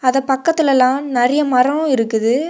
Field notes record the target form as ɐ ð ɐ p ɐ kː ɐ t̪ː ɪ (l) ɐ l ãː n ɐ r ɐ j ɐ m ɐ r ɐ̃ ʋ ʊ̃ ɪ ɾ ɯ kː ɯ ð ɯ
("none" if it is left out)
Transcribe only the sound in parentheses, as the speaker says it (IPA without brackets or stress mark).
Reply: l